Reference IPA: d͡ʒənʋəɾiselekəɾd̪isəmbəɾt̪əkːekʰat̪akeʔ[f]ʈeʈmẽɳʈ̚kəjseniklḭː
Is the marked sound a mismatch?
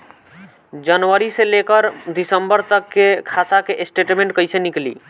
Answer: yes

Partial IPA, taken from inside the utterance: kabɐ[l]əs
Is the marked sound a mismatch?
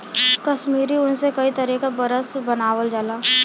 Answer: yes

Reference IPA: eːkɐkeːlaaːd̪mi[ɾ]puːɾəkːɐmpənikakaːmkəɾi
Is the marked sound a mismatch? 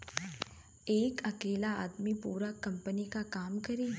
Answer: yes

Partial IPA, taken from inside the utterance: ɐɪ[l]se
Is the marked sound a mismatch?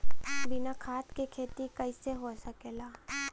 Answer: yes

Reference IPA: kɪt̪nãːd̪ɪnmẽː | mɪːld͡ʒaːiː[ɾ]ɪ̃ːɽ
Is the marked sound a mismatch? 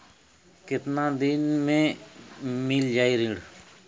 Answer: no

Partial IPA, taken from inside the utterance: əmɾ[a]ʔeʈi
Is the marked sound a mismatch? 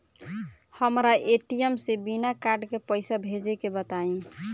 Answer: no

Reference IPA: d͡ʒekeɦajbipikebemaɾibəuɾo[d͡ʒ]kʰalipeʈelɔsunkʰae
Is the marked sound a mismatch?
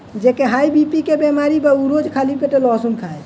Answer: no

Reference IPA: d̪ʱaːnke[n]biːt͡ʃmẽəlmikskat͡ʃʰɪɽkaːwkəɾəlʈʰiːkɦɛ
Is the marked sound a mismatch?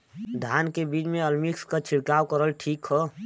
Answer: yes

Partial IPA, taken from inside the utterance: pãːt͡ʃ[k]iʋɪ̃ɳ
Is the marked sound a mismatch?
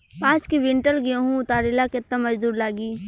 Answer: no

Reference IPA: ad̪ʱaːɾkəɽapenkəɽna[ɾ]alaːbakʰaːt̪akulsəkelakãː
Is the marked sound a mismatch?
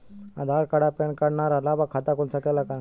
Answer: no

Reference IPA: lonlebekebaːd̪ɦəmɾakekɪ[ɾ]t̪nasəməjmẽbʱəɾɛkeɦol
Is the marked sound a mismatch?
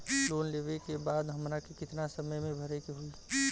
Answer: yes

